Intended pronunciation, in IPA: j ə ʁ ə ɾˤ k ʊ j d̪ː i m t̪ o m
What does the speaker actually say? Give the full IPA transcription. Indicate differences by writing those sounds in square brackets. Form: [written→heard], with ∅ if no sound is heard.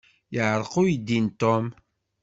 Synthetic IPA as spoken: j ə [ʁ→ʕ] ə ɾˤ [k→q] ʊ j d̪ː i [m→n] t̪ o m